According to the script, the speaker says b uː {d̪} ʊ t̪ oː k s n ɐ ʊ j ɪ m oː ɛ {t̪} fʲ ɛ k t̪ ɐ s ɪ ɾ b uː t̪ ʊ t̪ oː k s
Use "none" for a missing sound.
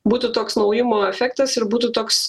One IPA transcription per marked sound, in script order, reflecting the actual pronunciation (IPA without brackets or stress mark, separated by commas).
t̪, none